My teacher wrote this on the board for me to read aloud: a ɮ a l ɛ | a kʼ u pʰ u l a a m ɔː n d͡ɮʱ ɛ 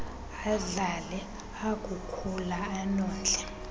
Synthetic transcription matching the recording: a ɮ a l ɛ | a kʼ u kʰ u l a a n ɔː n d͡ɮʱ ɛ